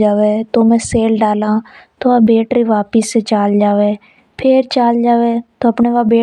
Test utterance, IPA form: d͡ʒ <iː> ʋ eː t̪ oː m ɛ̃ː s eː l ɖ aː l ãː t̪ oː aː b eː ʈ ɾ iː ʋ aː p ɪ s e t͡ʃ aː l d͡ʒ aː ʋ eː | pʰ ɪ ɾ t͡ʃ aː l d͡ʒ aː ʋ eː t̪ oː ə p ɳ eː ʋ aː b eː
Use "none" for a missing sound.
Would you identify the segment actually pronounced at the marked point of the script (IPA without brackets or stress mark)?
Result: aː